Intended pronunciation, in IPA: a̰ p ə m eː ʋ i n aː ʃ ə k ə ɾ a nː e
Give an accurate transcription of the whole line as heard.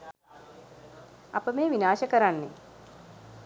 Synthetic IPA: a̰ p ə m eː ʋ i n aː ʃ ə k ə ɾ a nː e